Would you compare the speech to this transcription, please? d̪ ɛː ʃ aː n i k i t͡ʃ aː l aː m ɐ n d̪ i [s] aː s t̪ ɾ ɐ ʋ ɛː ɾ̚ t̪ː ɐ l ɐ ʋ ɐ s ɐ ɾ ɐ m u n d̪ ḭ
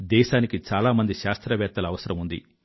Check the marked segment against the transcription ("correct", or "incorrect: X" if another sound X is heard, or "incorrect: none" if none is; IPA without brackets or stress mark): incorrect: ʃ